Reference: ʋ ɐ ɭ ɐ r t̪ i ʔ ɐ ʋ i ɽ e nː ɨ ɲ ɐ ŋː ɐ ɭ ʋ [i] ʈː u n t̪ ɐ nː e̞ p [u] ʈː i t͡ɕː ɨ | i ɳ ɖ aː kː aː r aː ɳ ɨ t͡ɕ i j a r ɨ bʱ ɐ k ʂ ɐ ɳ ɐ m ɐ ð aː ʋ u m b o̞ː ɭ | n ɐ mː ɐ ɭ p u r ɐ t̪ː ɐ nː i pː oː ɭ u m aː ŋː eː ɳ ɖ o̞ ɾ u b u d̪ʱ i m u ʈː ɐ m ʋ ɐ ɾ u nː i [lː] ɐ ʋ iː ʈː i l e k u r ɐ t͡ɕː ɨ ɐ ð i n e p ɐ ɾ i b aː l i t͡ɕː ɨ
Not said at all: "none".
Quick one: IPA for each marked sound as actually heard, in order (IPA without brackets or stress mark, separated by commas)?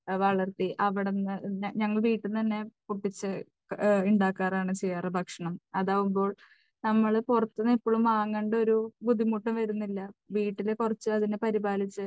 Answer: iː, u, lː